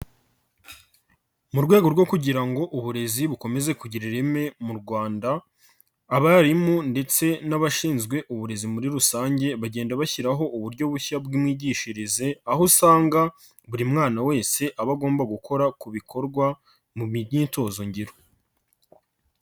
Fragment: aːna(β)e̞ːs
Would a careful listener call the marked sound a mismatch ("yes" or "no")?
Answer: yes